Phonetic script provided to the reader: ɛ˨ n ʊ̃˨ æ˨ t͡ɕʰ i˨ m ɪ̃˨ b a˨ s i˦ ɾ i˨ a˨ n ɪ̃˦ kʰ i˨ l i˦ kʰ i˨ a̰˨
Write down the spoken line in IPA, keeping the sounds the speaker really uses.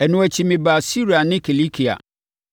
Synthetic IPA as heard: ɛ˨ n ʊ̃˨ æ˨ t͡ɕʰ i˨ m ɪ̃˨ b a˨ s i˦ ɾ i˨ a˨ n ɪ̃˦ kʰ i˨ l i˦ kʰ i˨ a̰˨